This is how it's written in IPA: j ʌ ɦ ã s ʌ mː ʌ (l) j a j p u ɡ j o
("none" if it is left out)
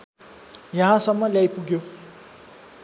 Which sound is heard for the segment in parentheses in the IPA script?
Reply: l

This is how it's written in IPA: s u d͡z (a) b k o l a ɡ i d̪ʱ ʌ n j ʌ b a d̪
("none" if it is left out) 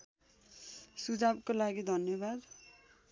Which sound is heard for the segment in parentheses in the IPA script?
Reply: a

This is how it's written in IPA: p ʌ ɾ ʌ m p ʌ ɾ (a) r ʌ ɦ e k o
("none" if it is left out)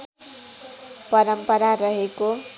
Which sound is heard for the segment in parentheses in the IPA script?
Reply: a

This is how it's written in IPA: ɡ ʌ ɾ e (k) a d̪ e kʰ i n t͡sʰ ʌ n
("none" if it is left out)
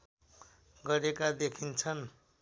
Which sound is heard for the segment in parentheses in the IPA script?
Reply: k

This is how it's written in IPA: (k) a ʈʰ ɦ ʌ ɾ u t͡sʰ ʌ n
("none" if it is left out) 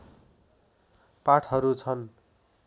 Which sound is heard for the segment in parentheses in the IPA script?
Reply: p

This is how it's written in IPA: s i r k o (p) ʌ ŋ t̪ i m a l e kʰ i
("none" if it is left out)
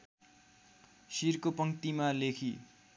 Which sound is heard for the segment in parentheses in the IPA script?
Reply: p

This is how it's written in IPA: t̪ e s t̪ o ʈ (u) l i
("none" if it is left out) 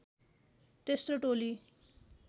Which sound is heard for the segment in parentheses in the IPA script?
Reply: o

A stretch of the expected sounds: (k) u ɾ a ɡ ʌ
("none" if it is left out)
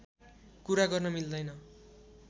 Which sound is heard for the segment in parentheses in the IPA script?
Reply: k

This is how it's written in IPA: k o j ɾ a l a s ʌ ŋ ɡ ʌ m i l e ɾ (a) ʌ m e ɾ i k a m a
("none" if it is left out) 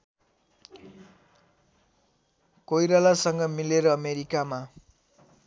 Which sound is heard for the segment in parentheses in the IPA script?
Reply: ʌ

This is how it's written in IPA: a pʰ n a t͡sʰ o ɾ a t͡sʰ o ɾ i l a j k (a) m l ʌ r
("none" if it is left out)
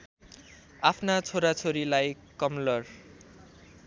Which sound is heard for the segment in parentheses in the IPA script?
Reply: ʌ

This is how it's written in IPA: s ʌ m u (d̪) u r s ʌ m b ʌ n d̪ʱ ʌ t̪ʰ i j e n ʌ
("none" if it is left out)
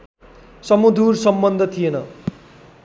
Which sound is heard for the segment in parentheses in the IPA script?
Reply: d̪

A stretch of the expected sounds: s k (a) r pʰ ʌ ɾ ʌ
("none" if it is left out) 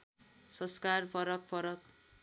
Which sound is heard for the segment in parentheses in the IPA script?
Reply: a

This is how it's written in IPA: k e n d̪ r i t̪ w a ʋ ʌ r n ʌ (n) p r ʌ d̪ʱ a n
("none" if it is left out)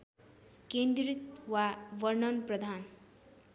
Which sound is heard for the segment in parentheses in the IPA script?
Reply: n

